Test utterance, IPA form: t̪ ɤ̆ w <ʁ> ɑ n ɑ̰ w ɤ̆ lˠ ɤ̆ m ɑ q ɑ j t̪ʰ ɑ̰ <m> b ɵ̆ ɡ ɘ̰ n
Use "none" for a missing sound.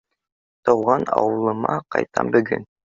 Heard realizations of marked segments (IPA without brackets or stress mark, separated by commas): ʁ, m